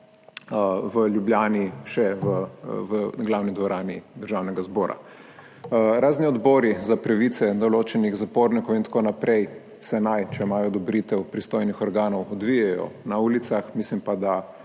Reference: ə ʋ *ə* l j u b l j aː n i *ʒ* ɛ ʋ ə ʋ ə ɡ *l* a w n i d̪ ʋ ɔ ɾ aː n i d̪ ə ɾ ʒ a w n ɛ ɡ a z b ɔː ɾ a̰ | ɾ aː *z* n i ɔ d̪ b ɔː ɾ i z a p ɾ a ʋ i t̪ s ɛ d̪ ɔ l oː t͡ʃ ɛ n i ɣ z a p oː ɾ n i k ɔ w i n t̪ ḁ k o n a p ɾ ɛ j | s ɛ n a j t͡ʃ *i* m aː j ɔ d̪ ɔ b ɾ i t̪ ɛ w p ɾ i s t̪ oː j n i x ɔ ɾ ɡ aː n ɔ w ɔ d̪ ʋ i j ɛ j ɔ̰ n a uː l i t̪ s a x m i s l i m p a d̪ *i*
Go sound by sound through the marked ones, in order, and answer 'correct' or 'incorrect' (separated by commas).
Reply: correct, incorrect, correct, correct, incorrect, incorrect